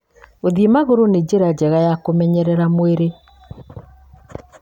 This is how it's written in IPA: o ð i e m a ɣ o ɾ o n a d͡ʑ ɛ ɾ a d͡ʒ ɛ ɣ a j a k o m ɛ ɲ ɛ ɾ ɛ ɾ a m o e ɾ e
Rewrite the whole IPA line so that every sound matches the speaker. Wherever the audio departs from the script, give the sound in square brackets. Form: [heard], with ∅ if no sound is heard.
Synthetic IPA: o ð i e m a ɣ o ɾ o n [e] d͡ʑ [e] ɾ a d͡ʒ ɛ ɣ a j a k o m ɛ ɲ ɛ ɾ ɛ ɾ a m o e ɾ e